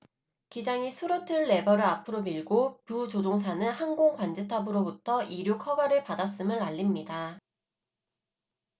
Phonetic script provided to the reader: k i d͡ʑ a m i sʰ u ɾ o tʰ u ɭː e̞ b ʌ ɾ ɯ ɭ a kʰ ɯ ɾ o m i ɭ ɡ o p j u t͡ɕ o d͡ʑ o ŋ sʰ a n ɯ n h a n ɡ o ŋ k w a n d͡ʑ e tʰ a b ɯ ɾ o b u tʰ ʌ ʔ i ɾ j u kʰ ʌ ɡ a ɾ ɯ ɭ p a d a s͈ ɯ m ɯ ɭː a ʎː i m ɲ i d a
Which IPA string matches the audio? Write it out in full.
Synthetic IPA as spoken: k i d͡ʑ a ŋ i sʰ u ɾ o tʰ ɯ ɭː e̞ b ʌ ɾ ɯ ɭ a pʰ ɯ ɾ o m i ɭ ɡ o p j u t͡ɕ o d͡ʑ o ŋ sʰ a n ɯ n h a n ɡ o ŋ k w a n d͡ʑ e tʰ a b ɯ ɾ o b u tʰ ʌ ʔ i ɾ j u kʰ ʌ ɡ a ɾ ɯ ɭ p a d a s͈ ɯ m ɯ ɭ a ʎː i m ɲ i d a

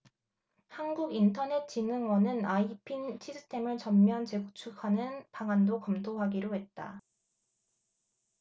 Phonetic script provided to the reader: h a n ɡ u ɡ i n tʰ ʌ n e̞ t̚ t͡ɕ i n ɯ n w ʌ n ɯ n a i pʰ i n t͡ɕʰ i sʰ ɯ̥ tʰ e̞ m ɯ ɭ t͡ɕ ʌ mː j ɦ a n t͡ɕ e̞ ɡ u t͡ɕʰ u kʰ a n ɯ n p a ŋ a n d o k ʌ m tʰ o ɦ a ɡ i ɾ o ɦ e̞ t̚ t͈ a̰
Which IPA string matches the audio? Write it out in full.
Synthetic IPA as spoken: h a n ɡ u ɡ i n tʰ ʌ n e̞ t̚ t͡ɕ i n ɯ ŋ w ʌ n ɯ n a i pʰ i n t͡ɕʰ i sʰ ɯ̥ tʰ e̞ m ɯ ɭ t͡ɕ ʌ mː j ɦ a n t͡ɕ e̞ ɡ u t͡ɕʰ u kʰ a n ɯ n p a ŋ a n d o k ʌ m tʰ o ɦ a ɡ i ɾ o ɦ e̞ t̚ t͈ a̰

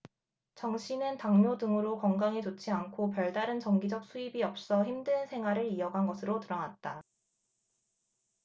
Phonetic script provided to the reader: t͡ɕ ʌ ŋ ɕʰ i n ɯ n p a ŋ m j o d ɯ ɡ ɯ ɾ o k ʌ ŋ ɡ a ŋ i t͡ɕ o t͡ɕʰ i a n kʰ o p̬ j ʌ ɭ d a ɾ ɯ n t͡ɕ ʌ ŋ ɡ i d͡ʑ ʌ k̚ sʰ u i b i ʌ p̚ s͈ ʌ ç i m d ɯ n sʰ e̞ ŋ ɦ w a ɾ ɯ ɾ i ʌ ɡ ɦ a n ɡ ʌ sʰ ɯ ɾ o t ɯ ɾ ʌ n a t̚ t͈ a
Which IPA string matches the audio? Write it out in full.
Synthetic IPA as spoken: t͡ɕ ʌ ŋ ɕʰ i n ɯ n t a ŋ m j o d ɯ ŋ ɯ ɾ o k ʌ ŋ ɡ a ŋ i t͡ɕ o t͡ɕʰ i a n kʰ o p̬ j ʌ ɭ d a ɾ ɯ n t͡ɕ ʌ ŋ ɡ i d͡ʑ ʌ k̚ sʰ u i b i ʌ p̚ s͈ ʌ ç i m d ɯ n sʰ e̞ ŋ ɦ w a ɾ ɯ ɾ i ʌ ɡ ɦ a n ɡ ʌ sʰ ɯ ɾ o t ɯ ɾ ʌ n a t̚ t͈ a

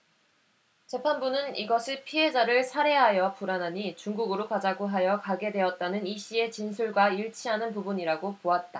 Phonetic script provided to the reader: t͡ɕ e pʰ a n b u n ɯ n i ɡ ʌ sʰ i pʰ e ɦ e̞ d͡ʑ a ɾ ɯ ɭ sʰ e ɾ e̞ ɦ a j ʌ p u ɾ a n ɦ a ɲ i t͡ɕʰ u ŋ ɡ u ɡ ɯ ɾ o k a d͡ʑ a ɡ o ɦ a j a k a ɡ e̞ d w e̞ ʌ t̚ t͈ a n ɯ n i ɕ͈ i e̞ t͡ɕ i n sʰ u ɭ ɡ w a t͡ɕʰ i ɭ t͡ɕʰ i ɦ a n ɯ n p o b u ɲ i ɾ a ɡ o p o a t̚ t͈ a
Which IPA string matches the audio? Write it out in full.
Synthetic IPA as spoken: t͡ɕ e pʰ a n b u n ɯ n i ɡ ʌ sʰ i pʰ i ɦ e̞ d͡ʑ a ɾ ɯ ɭ sʰ a ɾ e̞ ɦ a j ʌ p u ɾ a n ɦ a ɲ i t͡ɕ u ŋ ɡ u ɡ ɯ ɾ o k a d͡ʑ a ɡ o ɦ a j ʌ k a ɡ e̞ d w e̞ ʌ t̚ t͈ a n ɯ n i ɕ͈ i e̞ t͡ɕ i n sʰ u ɭ ɡ w a i ɭ t͡ɕʰ i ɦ a n ɯ n p u b u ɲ i ɾ a ɡ o p o a t̚ t͈ a

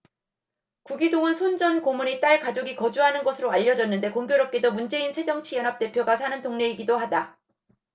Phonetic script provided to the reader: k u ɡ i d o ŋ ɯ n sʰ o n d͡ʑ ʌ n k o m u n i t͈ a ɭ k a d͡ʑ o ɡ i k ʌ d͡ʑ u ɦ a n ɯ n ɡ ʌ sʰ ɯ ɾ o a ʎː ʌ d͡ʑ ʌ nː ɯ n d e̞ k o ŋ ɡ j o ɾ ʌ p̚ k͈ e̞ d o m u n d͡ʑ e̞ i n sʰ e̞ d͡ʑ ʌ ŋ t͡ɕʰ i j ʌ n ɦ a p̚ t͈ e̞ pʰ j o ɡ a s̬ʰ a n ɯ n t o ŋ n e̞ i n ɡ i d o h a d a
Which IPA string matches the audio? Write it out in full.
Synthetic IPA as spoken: k u ɡ i d o ŋ ɯ n sʰ o n d͡ʑ ʌ n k o m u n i t͈ a ɭ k a d͡ʑ o ɡ i k ʌ d͡ʑ u ɦ a n ɯ n ɡ ʌ sʰ ɯ ɾ o a ʎː ʌ d͡ʑ ʌ nː ɯ n d e̞ k o ŋ ɡ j o ɾ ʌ p̚ k͈ e̞ d o m u n d͡ʑ e̞ i n sʰ e̞ d͡ʑ ʌ ŋ t͡ɕʰ i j ʌ n ɦ a p̚ t͈ e̞ pʰ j o ɡ a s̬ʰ a n ɯ n t o ŋ n e̞ i ɡ i d o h a d a

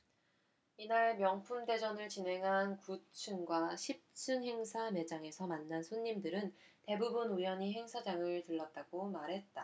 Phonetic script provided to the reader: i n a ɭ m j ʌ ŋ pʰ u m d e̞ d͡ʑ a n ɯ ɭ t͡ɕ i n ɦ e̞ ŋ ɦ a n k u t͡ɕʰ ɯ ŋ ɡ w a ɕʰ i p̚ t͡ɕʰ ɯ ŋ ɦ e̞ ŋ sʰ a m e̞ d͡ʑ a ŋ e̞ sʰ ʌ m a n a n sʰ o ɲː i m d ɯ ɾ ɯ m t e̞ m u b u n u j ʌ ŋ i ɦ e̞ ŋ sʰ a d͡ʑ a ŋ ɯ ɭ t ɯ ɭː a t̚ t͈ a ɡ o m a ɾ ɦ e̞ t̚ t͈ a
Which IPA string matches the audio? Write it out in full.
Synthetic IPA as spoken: i n a ɭ m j ʌ ŋ pʰ u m d e̞ d͡ʑ ʌ n ɯ ɭ t͡ɕ i n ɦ e̞ ŋ ɦ a n k u t͡ɕʰ ɯ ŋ ɡ w a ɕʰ i p̚ t͡ɕʰ ɯ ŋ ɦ e̞ ŋ sʰ a m e̞ d͡ʑ a ŋ e̞ sʰ ʌ m a nː a n sʰ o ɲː i m d ɯ ɾ ɯ n t e̞ b u b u n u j ʌ ɲ i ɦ e̞ ŋ sʰ a d͡ʑ a ŋ ɯ ɭ t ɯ ɭː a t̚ t͈ a ɡ o m a ɾ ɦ e̞ t̚ t͈ a

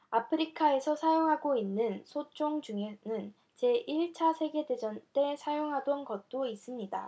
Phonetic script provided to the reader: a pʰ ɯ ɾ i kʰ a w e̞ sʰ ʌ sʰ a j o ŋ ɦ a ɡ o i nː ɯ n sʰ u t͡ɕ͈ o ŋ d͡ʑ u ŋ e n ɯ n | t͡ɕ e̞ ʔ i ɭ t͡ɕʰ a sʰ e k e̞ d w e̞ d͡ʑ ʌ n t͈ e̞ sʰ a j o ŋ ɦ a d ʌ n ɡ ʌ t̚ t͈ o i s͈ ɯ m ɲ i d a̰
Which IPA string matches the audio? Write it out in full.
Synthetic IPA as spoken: a pʰ ɯ ɾ i kʰ a e̞ sʰ ʌ sʰ a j o ŋ ɦ a ɡ o i nː ɯ n sʰ o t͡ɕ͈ o ŋ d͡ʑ u ŋ e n ɯ n | t͡ɕ e̞ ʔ i ɭ t͡ɕʰ a sʰ e ɡ e̞ d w e̞ d͡ʑ ʌ n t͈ e̞ sʰ a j o ŋ ɦ a d ʌ n ɡ ʌ t̚ t͈ o i s͈ ɯ m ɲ i d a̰

